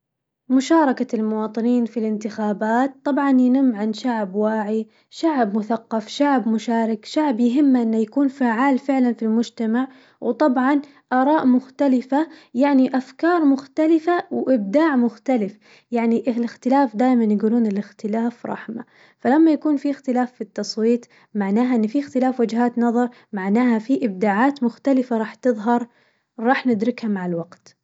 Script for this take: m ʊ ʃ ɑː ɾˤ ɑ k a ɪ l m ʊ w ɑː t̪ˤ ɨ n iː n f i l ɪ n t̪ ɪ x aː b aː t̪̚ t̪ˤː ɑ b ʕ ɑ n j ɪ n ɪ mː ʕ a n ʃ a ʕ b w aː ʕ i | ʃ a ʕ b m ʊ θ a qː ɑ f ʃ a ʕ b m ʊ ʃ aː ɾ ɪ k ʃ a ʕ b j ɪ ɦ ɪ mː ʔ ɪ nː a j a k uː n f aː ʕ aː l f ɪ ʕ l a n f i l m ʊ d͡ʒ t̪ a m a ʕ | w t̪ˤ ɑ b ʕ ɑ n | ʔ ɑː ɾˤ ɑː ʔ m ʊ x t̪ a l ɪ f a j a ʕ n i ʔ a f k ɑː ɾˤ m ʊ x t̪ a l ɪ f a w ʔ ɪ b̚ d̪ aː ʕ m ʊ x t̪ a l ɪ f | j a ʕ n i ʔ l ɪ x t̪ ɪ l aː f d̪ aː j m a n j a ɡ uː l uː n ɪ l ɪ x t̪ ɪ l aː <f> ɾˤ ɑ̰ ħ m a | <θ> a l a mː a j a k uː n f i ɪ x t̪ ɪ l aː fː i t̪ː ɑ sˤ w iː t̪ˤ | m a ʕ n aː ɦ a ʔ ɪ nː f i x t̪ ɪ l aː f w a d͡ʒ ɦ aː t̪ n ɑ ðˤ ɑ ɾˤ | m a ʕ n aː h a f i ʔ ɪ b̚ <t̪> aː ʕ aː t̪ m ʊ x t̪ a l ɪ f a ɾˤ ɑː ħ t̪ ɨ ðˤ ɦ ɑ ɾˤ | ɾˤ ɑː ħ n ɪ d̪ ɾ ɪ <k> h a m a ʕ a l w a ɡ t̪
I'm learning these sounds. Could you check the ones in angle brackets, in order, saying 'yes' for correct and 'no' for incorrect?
yes, no, no, yes

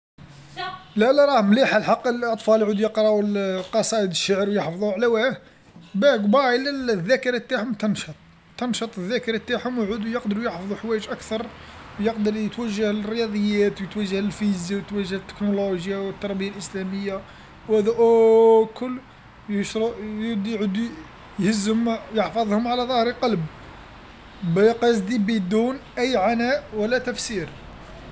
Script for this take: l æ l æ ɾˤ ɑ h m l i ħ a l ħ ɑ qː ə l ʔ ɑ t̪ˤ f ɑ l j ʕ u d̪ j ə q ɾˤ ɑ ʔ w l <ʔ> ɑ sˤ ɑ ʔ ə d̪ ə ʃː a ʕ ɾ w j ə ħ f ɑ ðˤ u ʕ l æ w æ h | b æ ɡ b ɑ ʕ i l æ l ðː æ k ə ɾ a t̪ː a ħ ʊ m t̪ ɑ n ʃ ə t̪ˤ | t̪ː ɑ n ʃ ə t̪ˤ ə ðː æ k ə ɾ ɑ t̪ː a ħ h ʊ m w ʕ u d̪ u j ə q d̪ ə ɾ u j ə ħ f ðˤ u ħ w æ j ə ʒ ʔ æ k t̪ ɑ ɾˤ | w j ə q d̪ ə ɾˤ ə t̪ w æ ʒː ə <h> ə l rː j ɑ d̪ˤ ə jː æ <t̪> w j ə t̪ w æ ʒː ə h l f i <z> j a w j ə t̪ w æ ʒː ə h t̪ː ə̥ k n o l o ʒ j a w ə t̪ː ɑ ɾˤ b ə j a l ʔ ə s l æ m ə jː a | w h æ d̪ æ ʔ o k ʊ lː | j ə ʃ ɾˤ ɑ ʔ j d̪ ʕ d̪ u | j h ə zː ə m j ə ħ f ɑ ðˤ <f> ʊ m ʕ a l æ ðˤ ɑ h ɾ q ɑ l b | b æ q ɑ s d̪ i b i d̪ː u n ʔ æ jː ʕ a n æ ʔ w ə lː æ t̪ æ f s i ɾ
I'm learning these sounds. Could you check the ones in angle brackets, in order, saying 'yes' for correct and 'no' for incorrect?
no, yes, yes, yes, no

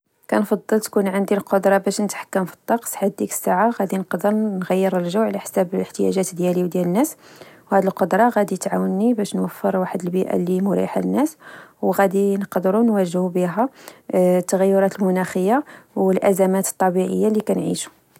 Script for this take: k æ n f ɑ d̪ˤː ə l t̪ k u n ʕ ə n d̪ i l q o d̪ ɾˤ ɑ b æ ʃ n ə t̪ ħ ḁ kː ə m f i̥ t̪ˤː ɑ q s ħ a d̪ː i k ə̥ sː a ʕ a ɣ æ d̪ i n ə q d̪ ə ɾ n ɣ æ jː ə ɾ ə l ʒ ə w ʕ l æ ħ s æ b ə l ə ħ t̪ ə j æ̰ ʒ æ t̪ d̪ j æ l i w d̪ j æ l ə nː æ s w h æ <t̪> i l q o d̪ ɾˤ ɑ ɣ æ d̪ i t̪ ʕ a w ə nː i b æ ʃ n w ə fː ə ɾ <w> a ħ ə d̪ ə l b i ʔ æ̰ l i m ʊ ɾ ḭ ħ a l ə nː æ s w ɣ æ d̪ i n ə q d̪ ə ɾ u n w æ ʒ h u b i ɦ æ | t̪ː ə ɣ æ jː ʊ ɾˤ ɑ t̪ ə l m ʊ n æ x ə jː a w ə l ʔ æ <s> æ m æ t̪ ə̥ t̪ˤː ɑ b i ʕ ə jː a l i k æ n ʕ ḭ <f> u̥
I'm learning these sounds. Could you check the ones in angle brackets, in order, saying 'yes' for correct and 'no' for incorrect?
no, yes, no, no

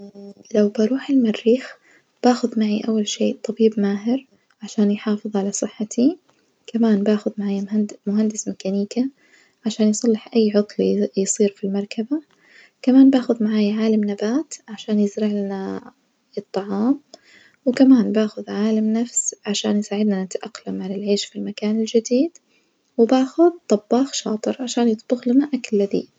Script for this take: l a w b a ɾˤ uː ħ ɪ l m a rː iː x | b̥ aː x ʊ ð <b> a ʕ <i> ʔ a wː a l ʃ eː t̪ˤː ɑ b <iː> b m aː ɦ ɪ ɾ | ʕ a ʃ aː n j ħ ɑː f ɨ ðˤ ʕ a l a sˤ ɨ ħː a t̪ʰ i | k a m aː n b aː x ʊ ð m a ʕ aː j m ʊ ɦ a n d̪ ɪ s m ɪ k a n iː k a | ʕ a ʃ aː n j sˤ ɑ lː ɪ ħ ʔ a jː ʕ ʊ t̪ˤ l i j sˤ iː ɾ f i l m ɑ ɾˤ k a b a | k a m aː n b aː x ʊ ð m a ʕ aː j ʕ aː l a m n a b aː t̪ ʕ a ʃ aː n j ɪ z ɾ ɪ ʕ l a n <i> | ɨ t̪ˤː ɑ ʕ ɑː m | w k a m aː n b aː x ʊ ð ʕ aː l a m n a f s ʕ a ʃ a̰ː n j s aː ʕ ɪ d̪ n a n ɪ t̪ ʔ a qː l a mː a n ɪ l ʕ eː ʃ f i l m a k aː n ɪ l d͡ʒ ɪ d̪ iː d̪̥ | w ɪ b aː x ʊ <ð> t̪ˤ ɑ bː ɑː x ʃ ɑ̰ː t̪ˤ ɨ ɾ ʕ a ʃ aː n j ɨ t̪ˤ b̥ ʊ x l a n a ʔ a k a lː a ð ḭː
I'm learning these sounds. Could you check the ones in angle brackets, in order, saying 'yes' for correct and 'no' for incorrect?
no, yes, yes, no, yes

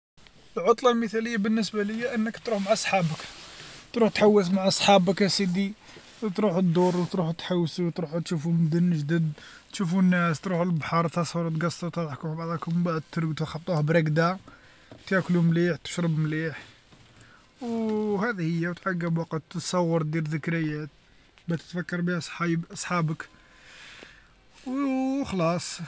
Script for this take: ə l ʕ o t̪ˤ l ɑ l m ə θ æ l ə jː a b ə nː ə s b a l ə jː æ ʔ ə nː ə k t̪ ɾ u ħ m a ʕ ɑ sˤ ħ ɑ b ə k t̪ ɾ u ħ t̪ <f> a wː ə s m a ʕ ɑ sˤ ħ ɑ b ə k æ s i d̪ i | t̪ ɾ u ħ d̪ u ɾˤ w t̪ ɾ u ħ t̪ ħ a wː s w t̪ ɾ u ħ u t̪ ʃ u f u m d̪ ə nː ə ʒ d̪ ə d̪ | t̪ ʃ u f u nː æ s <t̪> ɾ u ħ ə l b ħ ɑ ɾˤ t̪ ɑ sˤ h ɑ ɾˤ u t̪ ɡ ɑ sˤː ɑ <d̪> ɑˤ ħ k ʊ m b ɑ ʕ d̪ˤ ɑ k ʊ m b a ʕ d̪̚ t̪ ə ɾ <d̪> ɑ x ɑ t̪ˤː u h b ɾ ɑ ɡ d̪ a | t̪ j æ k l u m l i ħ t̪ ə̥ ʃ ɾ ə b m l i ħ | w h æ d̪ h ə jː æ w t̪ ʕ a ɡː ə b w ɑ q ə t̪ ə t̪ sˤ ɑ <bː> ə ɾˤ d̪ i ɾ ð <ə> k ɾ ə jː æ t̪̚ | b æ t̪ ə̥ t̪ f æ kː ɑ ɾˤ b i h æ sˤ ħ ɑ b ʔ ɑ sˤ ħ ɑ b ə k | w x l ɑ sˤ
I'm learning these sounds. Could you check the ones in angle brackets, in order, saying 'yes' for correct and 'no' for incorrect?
no, yes, no, no, no, yes

